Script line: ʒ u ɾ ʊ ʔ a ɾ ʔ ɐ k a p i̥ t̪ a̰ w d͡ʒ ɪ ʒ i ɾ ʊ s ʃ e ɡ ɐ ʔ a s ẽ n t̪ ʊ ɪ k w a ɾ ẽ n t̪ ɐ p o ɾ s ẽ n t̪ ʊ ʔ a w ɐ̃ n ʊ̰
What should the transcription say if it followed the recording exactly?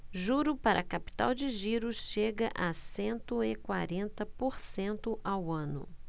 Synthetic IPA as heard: ʒ u ɾ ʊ p a ɾ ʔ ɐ k a p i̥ t̪ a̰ w d͡ʒ ɪ ʒ i ɾ ʊ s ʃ e ɡ ɐ ʔ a s ẽ n t̪ ʊ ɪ k w a ɾ ẽ n t̪ ɐ p o ɾ s ẽ n t̪ ʊ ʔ a w ɐ̃ n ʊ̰